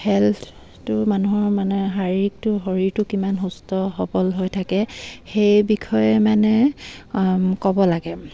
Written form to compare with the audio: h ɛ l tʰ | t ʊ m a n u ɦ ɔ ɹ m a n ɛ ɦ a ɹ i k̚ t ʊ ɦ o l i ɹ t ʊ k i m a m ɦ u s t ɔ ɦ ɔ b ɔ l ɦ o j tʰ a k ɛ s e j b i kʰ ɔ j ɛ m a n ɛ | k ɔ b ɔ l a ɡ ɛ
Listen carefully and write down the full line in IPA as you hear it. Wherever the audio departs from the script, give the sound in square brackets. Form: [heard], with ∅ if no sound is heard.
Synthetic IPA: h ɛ l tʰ | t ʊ m a n u ɦ ɔ ɹ m a n ɛ ɦ a ɹ i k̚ t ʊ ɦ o [ɹ] i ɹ t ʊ k i m a [n] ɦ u s t ɔ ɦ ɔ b ɔ l ɦ o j tʰ a k ɛ [x] e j b i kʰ ɔ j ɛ m a n ɛ | k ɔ b ɔ l a ɡ ɛ